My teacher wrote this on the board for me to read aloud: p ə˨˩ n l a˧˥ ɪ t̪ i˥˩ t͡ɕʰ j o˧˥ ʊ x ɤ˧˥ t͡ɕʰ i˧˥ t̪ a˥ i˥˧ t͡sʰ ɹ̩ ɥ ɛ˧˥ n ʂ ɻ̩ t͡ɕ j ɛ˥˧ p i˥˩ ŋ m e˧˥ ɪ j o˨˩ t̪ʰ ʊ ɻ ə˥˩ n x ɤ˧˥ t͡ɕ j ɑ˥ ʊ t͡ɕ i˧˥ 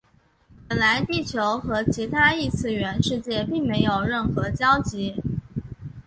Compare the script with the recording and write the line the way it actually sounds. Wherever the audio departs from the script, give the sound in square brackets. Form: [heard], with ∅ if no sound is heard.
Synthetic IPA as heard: p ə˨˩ n l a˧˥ ɪ t̪ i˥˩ t͡ɕʰ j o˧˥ ʊ x ɤ˧˥ t͡ɕʰ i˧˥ [t̪ʰ] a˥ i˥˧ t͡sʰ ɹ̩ ɥ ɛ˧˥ n ʂ ɻ̩ t͡ɕ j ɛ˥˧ p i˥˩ ŋ m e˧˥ ɪ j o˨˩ [∅] ʊ ɻ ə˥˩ n x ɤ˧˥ t͡ɕ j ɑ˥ ʊ t͡ɕ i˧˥